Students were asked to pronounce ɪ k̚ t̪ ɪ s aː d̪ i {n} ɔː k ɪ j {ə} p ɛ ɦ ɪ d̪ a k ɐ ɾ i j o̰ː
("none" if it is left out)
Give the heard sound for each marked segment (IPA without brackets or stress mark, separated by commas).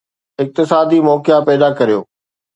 m, a